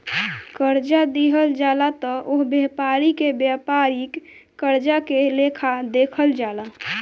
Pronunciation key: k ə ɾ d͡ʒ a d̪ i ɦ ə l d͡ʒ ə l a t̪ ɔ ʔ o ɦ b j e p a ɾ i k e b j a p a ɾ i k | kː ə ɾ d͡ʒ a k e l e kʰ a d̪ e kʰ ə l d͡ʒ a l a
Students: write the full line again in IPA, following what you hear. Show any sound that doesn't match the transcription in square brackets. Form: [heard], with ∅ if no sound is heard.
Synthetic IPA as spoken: k ə ɾ d͡ʒ a d̪ i ɦ ə l d͡ʒ [a] l a t̪ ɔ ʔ o ɦ b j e p a ɾ i k e b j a p a ɾ i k | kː ə ɾ d͡ʒ a k e l e kʰ a d̪ e kʰ ə l d͡ʒ a l a